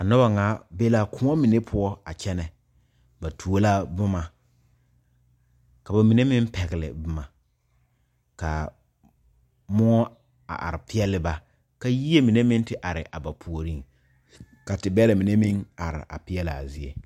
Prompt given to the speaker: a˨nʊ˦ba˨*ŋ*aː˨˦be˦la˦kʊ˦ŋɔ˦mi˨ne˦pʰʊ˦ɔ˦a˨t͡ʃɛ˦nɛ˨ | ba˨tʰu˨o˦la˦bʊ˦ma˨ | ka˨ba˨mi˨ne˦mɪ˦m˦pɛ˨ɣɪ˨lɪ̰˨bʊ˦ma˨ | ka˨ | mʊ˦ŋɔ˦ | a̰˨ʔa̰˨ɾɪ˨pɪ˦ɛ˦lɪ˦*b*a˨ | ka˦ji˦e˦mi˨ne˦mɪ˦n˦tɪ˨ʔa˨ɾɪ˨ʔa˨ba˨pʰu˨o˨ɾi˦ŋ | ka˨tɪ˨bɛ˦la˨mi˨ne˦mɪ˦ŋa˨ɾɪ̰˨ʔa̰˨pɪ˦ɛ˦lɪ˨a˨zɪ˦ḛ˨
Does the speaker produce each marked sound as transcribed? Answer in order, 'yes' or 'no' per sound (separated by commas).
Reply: yes, yes